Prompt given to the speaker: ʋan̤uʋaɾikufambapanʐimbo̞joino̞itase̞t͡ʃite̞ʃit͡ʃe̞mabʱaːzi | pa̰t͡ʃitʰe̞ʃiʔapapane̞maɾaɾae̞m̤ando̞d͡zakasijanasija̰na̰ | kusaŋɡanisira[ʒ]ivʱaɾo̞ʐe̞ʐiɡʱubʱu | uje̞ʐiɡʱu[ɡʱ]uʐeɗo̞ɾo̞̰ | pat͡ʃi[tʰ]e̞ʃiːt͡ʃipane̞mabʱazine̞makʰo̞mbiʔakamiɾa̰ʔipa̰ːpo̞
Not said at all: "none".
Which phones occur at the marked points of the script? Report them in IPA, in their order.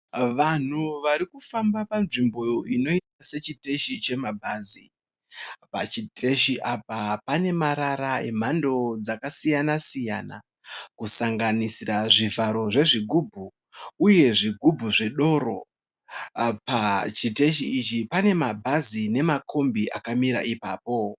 ʐ, bʱ, t

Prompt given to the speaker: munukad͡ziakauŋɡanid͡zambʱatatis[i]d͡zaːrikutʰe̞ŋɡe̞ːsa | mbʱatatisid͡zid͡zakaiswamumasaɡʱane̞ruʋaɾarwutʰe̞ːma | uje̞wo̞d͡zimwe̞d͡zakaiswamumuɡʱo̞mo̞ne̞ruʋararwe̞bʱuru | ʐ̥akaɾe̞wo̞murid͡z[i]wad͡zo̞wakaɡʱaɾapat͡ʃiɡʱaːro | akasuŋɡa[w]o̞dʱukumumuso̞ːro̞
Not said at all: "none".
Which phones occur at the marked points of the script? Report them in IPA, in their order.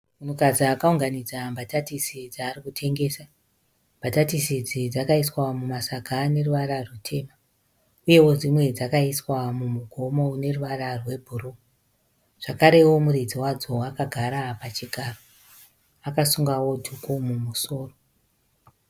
i, i, w

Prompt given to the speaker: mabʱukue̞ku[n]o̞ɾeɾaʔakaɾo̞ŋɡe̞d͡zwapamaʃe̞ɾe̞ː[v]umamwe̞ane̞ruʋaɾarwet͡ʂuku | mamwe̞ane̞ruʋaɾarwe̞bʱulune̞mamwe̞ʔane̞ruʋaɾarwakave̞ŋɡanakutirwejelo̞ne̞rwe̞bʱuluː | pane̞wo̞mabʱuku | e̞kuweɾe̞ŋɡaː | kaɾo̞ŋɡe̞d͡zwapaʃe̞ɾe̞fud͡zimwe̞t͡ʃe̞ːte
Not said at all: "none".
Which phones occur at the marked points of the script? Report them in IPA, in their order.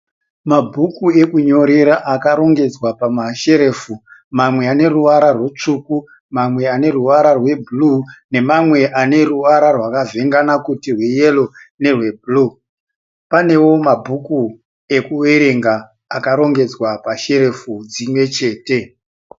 ɲ, f

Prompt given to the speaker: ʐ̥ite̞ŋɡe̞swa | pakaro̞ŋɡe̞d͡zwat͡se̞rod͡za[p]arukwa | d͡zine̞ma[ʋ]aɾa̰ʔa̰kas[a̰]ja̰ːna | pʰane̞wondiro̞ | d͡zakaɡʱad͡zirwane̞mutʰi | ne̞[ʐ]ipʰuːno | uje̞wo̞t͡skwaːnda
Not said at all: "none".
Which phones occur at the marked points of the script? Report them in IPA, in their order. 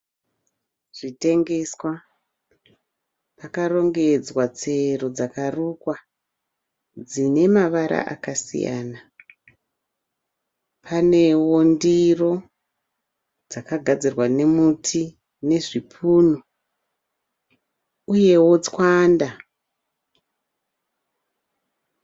k, ʋ, ḭ, ʐ

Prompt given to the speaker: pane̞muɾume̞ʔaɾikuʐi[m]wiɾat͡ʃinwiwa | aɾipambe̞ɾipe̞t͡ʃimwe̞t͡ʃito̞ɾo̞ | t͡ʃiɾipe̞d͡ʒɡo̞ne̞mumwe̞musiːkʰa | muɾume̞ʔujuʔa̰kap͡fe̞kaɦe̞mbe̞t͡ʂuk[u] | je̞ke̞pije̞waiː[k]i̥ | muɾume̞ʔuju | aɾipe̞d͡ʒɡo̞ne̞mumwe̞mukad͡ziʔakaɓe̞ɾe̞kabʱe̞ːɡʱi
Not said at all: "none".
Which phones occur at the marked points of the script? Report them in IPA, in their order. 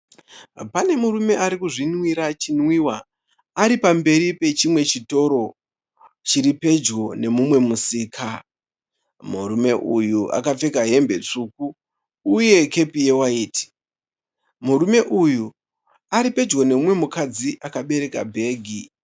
n, uː, t

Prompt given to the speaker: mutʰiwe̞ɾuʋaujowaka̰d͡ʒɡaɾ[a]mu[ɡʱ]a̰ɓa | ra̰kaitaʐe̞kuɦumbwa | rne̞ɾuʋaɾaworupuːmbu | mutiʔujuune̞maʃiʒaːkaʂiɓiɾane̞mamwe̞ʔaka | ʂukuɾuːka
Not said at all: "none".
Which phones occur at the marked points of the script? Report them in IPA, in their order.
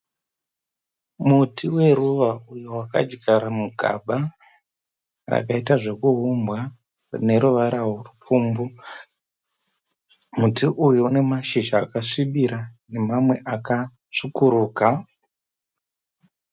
a, ɡʱ

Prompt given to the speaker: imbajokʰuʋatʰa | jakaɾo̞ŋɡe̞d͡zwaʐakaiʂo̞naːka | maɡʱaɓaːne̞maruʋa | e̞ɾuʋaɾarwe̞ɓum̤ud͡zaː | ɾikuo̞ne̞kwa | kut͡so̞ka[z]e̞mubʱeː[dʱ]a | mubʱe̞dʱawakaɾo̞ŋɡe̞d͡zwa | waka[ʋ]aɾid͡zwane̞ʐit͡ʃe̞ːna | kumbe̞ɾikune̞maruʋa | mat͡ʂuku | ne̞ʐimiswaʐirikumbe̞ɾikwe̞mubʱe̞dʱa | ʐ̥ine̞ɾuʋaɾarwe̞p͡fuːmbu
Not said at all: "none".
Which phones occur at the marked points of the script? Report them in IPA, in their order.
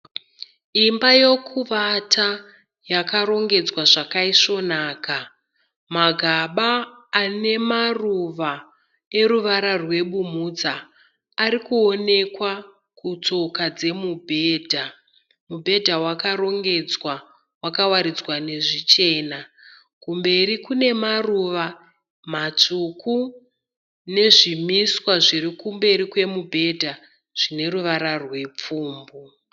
d͡z, dʱ, w

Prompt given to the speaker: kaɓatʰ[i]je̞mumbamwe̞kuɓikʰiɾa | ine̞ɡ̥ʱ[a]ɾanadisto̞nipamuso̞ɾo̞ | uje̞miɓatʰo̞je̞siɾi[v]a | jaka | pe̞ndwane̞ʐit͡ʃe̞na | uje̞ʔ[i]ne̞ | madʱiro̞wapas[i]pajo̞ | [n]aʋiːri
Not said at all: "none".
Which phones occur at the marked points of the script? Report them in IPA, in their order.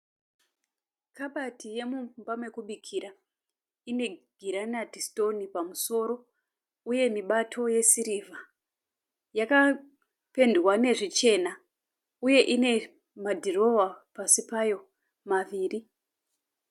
i, i, v, i, i, m

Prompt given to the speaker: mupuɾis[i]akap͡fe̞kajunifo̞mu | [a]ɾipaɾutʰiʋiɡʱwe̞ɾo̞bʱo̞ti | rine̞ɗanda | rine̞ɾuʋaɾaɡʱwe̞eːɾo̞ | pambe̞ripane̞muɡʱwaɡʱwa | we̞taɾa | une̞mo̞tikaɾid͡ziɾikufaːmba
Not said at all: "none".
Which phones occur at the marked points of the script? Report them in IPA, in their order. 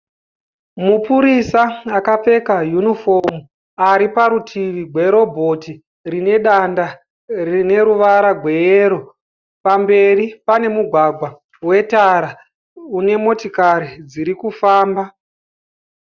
a, a

